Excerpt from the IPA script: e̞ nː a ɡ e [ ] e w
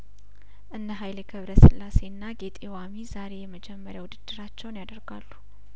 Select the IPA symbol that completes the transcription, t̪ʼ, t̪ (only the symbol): t̪ʼ